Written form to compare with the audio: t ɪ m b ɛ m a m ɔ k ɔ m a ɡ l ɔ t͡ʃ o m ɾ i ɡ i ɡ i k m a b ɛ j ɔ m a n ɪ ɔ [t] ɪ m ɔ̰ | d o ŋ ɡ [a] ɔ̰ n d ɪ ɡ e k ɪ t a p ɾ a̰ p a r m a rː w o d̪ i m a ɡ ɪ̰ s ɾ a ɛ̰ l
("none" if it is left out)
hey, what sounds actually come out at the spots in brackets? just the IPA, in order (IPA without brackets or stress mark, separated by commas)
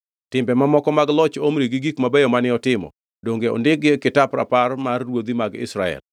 t, e